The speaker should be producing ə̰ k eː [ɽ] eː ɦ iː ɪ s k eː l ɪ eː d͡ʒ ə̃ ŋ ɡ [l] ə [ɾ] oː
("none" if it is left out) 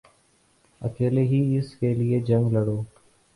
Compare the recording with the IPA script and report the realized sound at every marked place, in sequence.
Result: l, l, ɽ

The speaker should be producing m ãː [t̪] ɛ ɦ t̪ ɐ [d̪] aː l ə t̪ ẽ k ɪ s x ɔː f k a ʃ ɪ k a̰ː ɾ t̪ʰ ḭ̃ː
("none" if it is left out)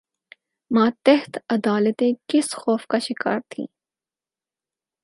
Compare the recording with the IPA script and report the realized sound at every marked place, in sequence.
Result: t̪, d̪

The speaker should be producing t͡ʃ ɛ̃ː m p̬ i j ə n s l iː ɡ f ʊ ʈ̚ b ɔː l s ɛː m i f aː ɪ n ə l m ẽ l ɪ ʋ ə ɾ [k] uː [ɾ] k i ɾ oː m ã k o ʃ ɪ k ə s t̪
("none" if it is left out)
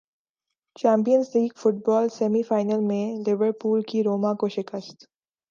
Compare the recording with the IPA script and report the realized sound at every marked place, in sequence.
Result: p, l

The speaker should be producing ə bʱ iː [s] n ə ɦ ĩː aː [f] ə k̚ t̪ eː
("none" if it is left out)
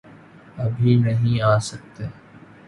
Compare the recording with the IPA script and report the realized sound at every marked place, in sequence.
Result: none, s

